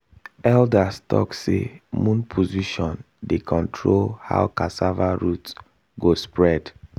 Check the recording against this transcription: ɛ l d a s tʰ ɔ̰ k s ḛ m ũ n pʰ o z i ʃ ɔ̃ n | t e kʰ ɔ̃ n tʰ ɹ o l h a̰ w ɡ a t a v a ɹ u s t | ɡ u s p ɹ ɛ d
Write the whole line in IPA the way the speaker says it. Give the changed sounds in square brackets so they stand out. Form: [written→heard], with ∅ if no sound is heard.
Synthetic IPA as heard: ɛ l d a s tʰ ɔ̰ k s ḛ m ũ n pʰ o z i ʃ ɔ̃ n | [t→d] e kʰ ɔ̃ n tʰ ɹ o l h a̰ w [ɡ→k] a [t→s] a v a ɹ u [s→∅] t | ɡ [u→o] s p ɹ ɛ d